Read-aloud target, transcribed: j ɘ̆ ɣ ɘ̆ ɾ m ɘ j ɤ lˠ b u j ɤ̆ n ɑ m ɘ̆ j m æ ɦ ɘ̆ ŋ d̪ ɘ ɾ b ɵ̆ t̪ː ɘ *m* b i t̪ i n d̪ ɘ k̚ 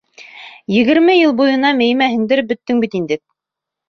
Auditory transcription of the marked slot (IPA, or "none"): ŋ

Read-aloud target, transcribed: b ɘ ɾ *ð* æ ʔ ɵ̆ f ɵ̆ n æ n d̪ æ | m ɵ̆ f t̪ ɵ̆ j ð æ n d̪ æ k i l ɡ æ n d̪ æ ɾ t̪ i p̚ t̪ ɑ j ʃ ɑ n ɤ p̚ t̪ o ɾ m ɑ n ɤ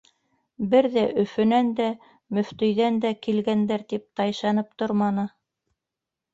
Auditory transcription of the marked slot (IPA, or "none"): ð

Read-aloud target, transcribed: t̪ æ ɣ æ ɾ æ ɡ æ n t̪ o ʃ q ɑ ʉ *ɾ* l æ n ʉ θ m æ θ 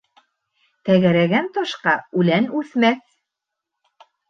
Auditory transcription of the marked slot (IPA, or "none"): none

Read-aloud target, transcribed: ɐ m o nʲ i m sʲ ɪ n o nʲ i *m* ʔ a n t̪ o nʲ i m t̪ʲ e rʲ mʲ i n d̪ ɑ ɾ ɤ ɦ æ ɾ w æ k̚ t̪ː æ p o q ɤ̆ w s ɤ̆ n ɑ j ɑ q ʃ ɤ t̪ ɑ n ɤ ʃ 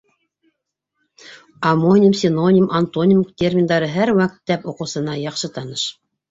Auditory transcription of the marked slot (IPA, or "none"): m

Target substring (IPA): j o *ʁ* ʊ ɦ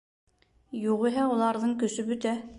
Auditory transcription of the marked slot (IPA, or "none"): ʁ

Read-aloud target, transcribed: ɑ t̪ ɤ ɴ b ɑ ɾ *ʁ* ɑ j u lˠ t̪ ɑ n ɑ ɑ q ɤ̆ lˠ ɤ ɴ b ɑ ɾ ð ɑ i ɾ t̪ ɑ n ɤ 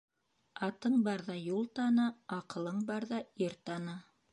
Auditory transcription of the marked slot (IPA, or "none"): ð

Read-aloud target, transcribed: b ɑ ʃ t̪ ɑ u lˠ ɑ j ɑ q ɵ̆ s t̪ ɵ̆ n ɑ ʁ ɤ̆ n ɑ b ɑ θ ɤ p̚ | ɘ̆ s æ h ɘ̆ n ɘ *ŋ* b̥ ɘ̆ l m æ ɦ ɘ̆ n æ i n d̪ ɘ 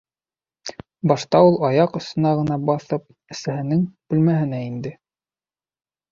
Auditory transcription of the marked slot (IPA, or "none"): ŋ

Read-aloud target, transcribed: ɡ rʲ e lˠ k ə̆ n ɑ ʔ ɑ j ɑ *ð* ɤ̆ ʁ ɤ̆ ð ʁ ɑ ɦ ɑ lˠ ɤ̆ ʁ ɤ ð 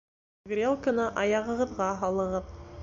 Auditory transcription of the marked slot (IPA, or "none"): ʁ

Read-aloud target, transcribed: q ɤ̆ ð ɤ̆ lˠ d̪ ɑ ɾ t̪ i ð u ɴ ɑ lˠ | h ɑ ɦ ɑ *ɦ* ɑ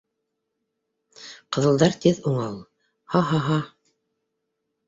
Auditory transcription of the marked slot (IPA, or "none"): ɦ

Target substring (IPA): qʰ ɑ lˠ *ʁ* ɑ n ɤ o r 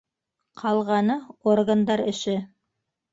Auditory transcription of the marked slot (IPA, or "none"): ʁ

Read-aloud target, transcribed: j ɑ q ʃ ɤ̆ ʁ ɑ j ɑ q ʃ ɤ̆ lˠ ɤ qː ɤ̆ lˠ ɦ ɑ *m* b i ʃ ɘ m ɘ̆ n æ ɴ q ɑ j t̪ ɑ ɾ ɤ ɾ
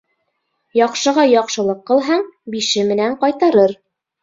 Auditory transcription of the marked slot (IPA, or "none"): ɴ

